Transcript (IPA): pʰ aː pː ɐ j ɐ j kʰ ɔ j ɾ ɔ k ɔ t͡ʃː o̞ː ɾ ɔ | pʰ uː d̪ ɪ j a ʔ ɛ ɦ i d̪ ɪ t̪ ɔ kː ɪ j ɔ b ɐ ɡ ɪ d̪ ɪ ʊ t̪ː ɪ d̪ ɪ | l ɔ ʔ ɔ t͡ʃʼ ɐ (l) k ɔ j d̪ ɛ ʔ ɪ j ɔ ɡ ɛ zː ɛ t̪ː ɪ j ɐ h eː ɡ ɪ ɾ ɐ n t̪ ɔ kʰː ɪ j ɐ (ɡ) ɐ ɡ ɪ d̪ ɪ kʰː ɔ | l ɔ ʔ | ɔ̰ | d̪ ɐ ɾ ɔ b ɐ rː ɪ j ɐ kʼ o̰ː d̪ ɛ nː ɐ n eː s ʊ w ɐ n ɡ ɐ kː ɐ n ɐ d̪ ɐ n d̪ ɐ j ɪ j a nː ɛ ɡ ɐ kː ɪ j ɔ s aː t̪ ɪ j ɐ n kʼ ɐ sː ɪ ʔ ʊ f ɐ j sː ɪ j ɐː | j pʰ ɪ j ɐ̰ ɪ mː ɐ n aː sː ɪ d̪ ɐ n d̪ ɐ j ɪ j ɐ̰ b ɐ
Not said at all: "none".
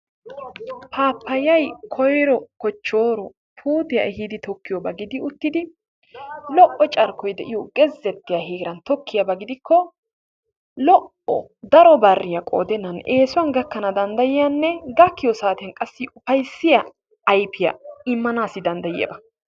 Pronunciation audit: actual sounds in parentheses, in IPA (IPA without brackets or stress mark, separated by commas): ɾ, b